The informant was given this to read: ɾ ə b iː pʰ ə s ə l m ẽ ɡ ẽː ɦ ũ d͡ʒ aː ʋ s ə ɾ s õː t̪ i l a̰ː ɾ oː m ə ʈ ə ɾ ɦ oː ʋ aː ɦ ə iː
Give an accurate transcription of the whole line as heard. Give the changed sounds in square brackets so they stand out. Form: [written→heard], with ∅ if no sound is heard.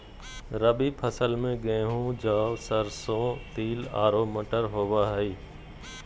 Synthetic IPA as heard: ɾ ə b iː pʰ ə s ə l m ẽ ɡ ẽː ɦ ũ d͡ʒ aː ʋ s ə ɾ s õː t̪ [i→iː] l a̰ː ɾ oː m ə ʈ ə ɾ ɦ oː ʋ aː ɦ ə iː